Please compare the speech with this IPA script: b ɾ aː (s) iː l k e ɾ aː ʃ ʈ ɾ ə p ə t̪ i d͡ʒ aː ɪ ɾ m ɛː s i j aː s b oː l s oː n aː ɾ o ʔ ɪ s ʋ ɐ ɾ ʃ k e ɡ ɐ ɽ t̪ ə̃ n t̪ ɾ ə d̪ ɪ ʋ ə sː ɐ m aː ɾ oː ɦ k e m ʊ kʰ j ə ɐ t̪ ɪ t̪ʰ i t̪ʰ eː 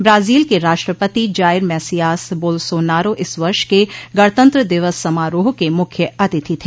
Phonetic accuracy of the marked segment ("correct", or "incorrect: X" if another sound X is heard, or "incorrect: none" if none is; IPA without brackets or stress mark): incorrect: z